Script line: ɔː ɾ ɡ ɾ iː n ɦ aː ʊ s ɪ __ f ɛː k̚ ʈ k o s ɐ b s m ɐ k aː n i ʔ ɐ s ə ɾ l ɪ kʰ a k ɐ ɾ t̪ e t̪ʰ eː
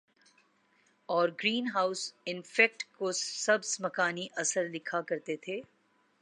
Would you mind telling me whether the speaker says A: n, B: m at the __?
A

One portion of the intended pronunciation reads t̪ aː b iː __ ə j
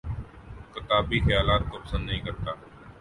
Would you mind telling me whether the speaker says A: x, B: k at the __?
A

